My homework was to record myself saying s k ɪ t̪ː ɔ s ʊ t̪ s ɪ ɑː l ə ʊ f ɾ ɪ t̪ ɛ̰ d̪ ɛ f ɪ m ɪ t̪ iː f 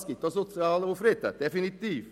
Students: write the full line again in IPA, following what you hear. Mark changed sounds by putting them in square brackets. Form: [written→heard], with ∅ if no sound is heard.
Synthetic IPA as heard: s k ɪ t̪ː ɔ s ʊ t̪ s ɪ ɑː l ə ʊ f ɾ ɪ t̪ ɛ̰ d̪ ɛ f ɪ [m→n] ɪ t̪ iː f